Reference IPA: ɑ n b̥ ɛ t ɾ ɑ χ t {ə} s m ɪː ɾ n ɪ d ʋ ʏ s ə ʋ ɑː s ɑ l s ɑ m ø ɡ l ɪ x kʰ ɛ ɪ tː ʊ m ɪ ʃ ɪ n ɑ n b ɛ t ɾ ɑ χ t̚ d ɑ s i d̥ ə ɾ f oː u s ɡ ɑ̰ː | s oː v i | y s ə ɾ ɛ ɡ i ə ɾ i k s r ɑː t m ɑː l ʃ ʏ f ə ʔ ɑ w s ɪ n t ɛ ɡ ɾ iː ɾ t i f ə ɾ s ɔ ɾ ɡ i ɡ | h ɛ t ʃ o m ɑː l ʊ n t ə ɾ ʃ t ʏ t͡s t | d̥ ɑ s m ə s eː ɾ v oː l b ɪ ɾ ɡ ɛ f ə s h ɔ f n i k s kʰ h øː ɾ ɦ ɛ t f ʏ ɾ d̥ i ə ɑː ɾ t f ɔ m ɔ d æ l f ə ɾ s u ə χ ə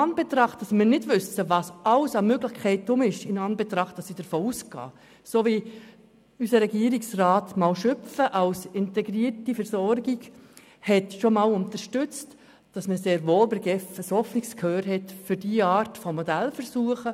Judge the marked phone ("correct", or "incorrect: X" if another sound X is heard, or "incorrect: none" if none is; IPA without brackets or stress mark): incorrect: ɑ